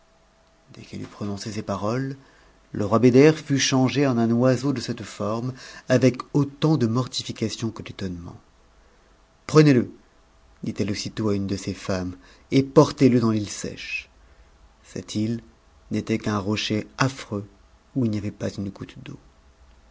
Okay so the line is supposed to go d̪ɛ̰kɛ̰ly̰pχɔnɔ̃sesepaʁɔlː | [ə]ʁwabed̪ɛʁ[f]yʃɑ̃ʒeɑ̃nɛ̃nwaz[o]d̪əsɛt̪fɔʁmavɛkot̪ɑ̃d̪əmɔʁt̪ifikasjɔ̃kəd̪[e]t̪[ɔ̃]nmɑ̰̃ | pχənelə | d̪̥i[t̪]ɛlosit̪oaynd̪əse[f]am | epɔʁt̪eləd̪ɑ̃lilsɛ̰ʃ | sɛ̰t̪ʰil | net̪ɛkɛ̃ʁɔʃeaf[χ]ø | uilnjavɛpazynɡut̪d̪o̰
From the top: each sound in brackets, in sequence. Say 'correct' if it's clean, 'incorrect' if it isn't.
correct, correct, correct, correct, incorrect: ɔ, correct, correct, correct

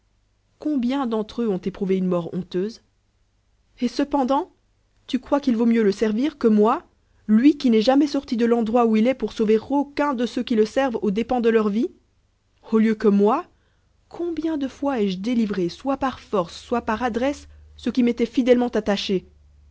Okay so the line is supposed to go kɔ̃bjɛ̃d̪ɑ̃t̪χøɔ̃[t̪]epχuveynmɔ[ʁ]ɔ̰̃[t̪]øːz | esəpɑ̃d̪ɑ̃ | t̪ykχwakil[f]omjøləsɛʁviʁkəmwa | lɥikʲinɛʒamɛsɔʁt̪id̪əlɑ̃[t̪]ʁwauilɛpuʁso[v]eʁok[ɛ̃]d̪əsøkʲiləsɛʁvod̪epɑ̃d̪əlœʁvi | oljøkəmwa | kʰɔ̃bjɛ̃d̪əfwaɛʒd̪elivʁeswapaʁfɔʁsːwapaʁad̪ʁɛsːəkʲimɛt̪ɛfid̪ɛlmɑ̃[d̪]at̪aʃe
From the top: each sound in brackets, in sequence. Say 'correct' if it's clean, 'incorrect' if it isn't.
correct, correct, correct, incorrect: v, incorrect: d̪, correct, correct, incorrect: t̪

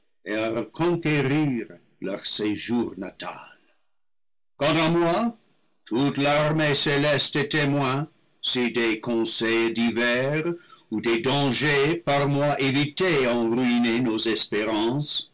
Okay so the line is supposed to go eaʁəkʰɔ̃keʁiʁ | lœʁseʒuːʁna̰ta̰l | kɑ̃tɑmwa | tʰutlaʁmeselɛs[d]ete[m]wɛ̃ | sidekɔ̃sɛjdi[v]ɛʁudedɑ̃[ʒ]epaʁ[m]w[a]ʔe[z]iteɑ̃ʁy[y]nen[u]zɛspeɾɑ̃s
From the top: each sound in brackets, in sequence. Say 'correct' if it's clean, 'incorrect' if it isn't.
incorrect: t, correct, correct, correct, correct, correct, incorrect: v, incorrect: i, incorrect: o

